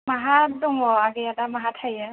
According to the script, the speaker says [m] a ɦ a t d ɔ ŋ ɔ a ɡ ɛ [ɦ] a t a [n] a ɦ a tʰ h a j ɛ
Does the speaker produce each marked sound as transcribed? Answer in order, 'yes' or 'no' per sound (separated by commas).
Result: yes, no, no